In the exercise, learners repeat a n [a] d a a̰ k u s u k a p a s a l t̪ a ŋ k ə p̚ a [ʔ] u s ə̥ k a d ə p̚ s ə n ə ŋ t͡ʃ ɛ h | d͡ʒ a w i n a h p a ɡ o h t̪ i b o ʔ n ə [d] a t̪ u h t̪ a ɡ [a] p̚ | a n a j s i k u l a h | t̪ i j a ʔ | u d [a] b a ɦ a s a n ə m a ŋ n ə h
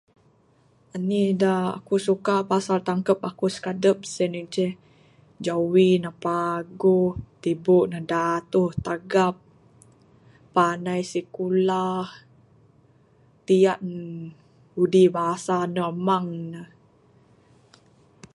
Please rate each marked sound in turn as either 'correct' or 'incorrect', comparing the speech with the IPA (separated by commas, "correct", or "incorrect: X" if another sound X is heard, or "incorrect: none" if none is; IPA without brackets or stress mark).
incorrect: i, incorrect: k, correct, correct, incorrect: i